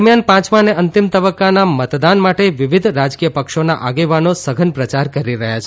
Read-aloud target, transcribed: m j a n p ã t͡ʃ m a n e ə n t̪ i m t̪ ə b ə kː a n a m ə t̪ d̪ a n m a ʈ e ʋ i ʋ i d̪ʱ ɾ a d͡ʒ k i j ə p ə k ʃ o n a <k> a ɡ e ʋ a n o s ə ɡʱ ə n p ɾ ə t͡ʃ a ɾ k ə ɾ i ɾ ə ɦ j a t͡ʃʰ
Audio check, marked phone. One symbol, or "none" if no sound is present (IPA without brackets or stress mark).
ʔ